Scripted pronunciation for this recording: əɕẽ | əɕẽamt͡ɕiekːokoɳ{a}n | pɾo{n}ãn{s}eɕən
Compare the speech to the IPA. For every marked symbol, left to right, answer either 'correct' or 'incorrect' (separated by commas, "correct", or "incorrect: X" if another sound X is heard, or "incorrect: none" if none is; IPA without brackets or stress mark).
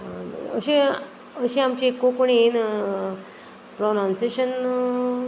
incorrect: i, correct, correct